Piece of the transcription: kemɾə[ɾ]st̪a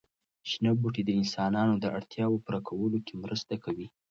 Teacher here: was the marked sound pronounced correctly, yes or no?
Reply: no